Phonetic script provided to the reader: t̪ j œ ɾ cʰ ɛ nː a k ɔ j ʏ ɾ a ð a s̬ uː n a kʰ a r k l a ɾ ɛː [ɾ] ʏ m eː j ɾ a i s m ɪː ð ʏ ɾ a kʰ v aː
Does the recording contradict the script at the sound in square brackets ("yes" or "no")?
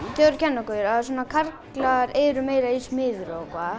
no